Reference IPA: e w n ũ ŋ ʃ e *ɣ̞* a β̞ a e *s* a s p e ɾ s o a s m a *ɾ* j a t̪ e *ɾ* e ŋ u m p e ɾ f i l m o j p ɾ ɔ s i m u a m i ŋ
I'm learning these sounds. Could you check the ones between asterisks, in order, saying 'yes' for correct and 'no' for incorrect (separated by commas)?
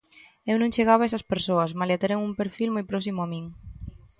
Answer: yes, yes, no, yes